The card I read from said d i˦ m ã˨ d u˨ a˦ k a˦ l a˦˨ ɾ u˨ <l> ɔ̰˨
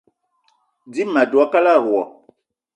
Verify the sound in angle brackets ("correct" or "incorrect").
incorrect